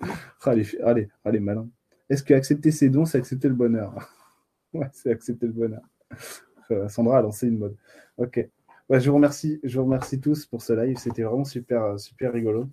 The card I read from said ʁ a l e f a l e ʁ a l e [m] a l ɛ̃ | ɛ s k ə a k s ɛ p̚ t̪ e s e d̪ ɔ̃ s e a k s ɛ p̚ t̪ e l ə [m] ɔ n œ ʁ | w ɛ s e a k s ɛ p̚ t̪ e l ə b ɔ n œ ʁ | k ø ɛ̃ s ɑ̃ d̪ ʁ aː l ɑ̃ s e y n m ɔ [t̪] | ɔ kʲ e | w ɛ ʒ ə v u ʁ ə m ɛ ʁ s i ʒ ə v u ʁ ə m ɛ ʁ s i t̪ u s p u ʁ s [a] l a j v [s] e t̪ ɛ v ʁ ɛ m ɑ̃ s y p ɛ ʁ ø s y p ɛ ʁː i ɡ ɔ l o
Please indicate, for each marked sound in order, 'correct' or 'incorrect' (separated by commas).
correct, incorrect, incorrect, incorrect, correct